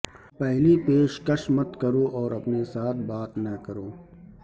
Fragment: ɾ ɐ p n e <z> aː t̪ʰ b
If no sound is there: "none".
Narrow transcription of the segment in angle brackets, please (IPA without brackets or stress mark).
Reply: s